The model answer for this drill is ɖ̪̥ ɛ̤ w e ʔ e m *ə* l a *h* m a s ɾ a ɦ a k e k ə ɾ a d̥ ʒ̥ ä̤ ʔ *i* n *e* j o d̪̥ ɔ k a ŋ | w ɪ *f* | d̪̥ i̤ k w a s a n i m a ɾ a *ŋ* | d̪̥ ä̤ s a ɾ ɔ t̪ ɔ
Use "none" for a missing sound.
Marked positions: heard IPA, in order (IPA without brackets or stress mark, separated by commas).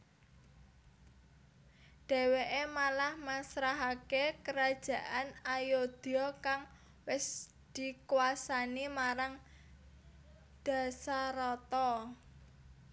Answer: a, h, a, a, s, ŋ